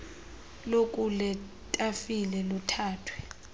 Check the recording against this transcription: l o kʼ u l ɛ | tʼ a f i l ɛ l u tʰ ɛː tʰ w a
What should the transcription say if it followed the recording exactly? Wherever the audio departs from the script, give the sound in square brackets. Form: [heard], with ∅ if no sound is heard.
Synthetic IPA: l o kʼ u l ɛ | tʼ a f i l ɛ l u tʰ [aː] tʰ w [ɛ]

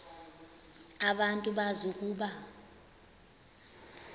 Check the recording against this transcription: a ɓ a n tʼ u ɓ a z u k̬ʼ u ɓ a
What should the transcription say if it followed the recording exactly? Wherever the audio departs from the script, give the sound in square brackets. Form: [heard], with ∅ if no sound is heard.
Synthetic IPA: a ɓ a n tʼ u ɓ a z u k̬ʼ [uː] ɓ a

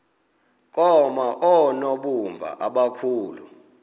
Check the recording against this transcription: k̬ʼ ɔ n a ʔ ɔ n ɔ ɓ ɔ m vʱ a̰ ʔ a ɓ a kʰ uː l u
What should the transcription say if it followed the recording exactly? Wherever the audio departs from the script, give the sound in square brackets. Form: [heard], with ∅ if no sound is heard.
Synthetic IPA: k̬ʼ ɔ [m] a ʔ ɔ n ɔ ɓ [u] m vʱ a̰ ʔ a ɓ a kʰ uː l u

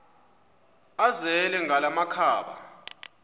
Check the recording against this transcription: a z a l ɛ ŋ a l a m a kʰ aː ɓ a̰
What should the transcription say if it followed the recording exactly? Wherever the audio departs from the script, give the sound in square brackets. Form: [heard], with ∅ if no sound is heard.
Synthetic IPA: a z [ɛ] l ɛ ŋ a l a m a kʰ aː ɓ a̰

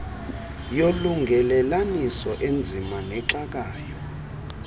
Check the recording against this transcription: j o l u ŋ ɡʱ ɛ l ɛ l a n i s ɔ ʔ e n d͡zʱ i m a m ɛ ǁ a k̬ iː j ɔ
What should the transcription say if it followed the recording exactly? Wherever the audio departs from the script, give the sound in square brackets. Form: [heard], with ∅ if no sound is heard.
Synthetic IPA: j o l u ŋ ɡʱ ɛ l ɛ l a n i s ɔ ʔ e n d͡zʱ i m a [n] ɛ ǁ a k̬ [aː] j ɔ

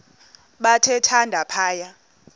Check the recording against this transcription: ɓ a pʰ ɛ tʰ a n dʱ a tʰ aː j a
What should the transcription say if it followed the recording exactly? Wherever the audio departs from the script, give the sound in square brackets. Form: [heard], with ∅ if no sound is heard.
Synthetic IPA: ɓ a [tʰ] ɛ tʰ a n dʱ a [pʰ] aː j a

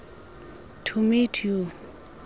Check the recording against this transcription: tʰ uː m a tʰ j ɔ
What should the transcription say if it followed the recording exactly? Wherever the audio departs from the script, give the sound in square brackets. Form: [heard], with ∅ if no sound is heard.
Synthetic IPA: tʰ [u] m [i] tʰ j [u]

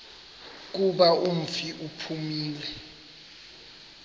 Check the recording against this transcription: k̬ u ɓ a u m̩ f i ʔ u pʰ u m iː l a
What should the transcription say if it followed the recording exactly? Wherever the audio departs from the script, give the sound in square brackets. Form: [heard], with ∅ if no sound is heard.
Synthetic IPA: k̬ u ɓ a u m̩ f i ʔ u pʰ u m iː l [ɛ]

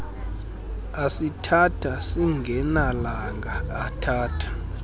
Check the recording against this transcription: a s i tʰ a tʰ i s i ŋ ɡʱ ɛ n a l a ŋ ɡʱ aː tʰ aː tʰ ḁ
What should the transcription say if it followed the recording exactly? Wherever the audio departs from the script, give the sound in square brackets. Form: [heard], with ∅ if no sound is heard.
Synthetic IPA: a s i tʰ a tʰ [a] s i ŋ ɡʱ ɛ n a l a ŋ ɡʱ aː tʰ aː tʰ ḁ

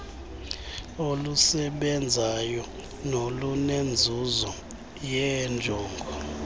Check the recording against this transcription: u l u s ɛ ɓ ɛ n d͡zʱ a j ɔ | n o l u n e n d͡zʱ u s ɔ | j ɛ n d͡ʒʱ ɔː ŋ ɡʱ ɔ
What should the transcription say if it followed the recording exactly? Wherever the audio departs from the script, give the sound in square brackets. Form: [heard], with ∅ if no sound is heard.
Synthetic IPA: [o] l u s ɛ ɓ ɛ n d͡zʱ a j ɔ | n o l u n e n d͡zʱ u [z] ɔ | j ɛ n d͡ʒʱ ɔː ŋ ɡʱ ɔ

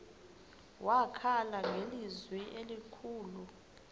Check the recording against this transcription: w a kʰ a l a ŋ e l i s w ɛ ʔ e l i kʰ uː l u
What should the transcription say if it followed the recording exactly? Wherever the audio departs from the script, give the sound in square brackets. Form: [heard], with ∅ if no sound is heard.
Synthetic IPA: w a kʰ a l a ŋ e l i [z] w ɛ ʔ e l i kʰ uː l u

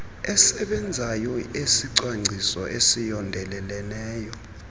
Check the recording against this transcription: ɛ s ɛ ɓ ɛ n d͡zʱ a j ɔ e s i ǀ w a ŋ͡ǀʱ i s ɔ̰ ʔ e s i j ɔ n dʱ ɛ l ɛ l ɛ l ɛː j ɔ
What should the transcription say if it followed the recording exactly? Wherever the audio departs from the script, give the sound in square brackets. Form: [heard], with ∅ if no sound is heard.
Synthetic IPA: ɛ s ɛ ɓ ɛ n d͡zʱ a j ɔ e s i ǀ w a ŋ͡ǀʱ i s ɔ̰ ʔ e s i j ɔ n dʱ ɛ l ɛ l ɛ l ɛː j ɔ

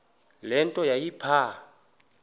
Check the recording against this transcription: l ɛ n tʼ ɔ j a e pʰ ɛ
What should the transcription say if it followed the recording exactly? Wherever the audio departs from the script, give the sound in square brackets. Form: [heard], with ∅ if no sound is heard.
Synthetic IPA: l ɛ n tʼ ɔ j a [i] pʰ [a]

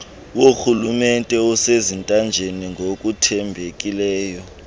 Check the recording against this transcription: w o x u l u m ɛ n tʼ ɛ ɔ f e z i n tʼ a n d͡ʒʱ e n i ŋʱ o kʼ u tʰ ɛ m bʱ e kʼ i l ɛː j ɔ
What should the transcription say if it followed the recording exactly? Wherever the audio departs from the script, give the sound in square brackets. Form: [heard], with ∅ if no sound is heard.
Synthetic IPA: w o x u l u m ɛ n tʼ ɛ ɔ [s] e z i n tʼ a n d͡ʒʱ e n i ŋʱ o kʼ u tʰ ɛ m bʱ e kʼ i l ɛː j ɔ

